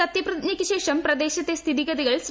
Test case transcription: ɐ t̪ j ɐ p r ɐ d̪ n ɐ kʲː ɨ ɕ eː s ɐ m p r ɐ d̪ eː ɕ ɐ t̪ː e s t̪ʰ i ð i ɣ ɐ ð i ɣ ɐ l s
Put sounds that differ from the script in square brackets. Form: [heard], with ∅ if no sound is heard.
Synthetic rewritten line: ɐ t̪ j ɐ p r ɐ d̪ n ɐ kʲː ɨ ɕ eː [ʂ] ɐ m p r ɐ d̪ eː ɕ ɐ t̪ː e s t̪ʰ i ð i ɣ ɐ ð i ɣ ɐ [ɭ] s

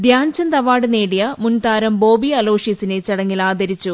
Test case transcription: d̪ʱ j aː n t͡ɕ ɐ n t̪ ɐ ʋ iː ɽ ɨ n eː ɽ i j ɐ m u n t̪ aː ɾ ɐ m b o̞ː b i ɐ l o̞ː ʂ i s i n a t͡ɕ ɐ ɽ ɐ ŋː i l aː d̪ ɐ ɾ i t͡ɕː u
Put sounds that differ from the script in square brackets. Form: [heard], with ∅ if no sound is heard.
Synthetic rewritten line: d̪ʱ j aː n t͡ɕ ɐ n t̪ ɐ ʋ [aː] ɽ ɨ n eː ɽ i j ɐ m u n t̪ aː ɾ ɐ m b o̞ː b i ɐ l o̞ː ʂ i s i n [e] t͡ɕ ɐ ɽ ɐ ŋː i l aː d̪ ɐ ɾ i t͡ɕː u

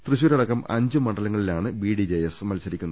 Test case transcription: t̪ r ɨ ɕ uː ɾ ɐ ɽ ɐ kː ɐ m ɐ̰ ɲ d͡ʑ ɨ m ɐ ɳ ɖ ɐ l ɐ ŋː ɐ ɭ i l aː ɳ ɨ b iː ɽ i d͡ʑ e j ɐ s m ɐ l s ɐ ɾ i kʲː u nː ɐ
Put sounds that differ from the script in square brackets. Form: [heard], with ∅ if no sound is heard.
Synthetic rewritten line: t̪ r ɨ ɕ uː ɾ ɐ ɽ ɐ kː ɐ m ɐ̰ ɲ d͡ʑ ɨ m ɐ ɳ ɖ ɐ l ɐ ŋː ɐ ɭ i l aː ɳ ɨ b iː ɽ i d͡ʑ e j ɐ s m ɐ l s ɐ ɾ i kʲː u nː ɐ

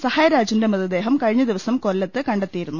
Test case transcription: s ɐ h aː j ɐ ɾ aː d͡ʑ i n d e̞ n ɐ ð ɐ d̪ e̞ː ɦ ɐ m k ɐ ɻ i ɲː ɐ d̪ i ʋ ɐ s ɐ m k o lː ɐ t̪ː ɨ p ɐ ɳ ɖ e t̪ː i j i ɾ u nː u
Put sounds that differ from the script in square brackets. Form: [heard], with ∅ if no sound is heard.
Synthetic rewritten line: s ɐ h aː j ɐ ɾ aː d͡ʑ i n d e̞ [m] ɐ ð ɐ d̪ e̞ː ɦ ɐ m k ɐ ɻ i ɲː ɐ d̪ i ʋ ɐ s ɐ m k o lː ɐ t̪ː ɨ [k] ɐ ɳ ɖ e t̪ː i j i ɾ u nː u

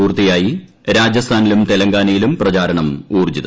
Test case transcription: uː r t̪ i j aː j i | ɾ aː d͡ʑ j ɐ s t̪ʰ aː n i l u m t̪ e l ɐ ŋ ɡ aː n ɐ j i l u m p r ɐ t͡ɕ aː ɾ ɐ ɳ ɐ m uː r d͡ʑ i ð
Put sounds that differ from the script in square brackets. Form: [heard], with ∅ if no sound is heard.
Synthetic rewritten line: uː r t̪ i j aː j i | ɾ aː d͡ʑ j ɐ s t̪ʰ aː n i l u m t̪ e l ɐ ŋ ɡ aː n ɐ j i l u m p r ɐ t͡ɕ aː ɾ ɐ ɳ ɐ m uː r d͡ʑ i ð

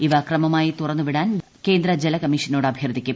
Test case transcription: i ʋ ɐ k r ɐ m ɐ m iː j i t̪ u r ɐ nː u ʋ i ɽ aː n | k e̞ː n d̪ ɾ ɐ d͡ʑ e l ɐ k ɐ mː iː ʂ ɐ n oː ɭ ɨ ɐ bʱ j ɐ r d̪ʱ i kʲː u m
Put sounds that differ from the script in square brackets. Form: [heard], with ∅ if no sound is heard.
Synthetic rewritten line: i ʋ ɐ k r ɐ m ɐ m [aː] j i t̪ u r ɐ nː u ʋ i ɽ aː n | k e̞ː n d̪ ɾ ɐ d͡ʑ e l ɐ k ɐ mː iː ʂ ɐ n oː [ɽ] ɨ ɐ bʱ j ɐ r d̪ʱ i kʲː u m

